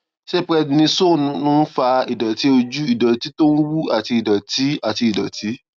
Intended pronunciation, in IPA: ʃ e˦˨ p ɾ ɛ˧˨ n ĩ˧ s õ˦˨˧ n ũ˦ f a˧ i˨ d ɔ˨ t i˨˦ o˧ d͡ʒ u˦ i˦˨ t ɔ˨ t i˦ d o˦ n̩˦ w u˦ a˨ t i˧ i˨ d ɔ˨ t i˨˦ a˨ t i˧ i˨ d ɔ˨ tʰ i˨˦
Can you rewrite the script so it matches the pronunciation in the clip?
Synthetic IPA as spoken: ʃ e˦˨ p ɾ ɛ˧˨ n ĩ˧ s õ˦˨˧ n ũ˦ f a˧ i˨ d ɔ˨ t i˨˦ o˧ d͡ʒ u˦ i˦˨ d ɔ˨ t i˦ t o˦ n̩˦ w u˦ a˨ t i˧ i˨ d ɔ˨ t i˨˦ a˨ t i˧ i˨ d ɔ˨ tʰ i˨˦